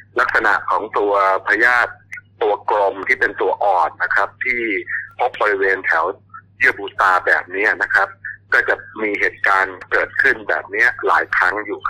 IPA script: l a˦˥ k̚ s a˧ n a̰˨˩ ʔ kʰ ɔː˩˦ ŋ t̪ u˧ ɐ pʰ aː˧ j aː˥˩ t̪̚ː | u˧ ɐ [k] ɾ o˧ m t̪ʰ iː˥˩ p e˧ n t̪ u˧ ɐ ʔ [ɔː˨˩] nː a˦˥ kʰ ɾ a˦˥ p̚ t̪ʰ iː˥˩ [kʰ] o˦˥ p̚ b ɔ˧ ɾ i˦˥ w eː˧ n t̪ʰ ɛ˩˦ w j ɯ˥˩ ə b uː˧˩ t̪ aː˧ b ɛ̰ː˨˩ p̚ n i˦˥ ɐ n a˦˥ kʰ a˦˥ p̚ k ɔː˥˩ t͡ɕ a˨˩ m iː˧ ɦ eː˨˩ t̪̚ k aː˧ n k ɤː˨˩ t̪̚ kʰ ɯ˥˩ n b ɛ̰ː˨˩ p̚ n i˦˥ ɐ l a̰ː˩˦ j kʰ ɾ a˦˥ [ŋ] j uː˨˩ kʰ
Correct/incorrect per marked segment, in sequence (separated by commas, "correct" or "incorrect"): correct, correct, incorrect, correct